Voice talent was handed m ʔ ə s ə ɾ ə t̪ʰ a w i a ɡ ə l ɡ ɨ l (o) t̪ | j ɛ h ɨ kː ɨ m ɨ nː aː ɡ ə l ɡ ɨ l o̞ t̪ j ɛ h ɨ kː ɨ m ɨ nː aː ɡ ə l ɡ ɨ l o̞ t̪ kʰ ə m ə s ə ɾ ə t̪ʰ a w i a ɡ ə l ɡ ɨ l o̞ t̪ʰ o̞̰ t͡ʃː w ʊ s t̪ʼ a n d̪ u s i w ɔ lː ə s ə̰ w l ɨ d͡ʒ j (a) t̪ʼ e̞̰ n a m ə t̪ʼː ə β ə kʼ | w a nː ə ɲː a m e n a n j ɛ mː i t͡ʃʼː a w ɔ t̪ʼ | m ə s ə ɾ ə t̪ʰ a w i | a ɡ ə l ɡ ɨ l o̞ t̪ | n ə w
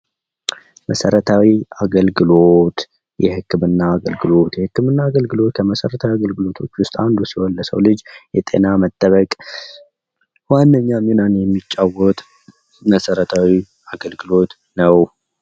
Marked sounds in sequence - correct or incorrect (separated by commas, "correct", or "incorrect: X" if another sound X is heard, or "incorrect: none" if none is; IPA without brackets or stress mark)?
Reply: correct, incorrect: ɛ